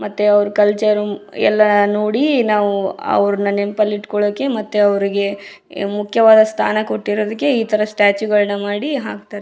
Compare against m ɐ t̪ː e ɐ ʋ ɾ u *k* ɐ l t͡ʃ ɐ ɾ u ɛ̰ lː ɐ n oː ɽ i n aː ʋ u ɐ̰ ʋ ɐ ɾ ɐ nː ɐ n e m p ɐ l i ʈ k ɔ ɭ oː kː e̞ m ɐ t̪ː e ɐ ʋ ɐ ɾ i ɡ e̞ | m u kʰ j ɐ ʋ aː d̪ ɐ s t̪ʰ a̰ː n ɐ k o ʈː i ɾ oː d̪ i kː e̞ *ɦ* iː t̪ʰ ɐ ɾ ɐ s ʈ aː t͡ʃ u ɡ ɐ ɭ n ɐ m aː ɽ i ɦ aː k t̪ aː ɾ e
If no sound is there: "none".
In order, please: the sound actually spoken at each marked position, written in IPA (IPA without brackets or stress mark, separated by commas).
k, none